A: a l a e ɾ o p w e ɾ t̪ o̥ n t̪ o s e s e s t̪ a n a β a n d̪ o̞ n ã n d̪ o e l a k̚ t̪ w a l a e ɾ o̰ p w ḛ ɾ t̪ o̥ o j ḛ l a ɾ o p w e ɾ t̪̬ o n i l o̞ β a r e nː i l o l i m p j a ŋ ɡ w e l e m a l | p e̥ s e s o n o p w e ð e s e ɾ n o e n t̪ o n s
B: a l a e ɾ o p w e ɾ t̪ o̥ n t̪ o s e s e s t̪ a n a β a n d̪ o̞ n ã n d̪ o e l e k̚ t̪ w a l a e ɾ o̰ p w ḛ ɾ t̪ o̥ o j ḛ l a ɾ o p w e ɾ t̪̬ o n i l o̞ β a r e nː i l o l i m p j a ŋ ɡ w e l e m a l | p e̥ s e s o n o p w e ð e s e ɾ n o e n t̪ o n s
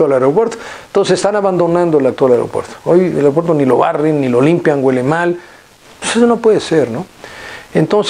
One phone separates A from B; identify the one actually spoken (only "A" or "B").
A